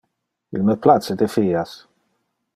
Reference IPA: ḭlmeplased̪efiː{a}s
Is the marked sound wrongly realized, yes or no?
no